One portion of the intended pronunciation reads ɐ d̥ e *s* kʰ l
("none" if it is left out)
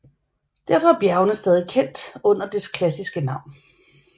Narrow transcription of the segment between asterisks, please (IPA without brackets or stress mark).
s